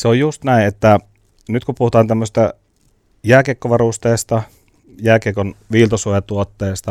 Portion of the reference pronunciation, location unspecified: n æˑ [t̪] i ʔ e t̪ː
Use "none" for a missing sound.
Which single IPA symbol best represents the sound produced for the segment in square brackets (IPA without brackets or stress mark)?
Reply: none